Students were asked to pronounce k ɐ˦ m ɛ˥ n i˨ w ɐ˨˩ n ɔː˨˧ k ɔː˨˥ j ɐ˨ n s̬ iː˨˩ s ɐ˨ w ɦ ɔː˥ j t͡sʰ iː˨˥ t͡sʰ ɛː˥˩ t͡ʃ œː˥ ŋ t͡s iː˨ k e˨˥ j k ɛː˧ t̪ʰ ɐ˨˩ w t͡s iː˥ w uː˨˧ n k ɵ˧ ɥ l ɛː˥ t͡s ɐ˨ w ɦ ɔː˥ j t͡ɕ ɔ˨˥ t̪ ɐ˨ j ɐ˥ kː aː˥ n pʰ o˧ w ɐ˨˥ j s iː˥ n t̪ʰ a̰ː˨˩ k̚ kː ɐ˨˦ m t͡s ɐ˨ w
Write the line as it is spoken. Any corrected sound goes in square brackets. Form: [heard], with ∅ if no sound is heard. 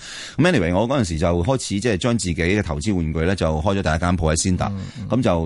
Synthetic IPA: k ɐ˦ m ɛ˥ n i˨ w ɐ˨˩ [ŋ] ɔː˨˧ k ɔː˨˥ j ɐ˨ n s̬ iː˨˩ [t͡s] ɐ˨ w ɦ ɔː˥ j t͡sʰ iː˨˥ [t͡s] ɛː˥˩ t͡ʃ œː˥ ŋ t͡s iː˨ k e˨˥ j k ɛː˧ t̪ʰ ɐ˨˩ w t͡s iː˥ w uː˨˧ n k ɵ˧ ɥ l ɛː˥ t͡s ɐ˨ w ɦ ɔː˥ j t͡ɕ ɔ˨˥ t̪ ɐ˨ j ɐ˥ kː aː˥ n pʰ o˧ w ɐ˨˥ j s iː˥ n [t̪] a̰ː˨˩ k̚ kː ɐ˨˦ m t͡s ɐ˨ w